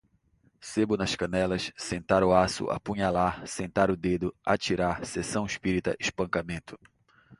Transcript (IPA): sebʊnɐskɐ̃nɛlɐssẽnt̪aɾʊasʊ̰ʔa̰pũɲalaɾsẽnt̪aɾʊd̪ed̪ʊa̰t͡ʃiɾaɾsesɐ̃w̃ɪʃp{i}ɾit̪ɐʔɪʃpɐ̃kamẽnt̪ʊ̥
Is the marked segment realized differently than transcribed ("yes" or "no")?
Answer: no